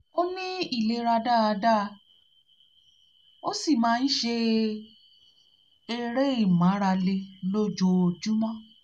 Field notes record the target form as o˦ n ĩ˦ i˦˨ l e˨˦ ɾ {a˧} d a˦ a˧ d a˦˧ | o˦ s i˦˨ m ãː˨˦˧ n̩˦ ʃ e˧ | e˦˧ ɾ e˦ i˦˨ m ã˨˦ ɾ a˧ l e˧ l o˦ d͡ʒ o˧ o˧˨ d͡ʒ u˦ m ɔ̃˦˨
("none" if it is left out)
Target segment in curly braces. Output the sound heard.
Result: a˧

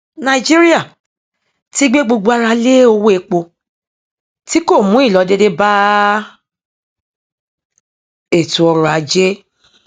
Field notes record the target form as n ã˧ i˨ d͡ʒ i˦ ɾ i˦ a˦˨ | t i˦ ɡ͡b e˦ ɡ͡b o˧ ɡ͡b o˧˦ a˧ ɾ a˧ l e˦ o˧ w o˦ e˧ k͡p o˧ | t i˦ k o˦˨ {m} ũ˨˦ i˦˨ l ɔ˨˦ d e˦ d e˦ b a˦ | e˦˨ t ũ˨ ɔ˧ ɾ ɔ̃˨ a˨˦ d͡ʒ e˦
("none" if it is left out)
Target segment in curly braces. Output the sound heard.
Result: m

